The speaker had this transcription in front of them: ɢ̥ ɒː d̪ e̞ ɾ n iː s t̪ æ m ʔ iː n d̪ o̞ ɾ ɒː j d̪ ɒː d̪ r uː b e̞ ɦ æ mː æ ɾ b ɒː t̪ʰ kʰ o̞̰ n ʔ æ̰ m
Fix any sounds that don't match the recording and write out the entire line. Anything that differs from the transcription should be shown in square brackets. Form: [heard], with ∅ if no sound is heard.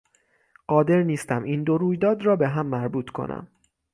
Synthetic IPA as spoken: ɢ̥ ɒː d̪ e̞ ɾ n iː s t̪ æ m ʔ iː n d̪ o̞ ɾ [uː] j d̪ ɒː d̪ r [ɒː] b e̞ ɦ æ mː æ ɾ b [uː] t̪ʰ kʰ o̞̰ n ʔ æ̰ m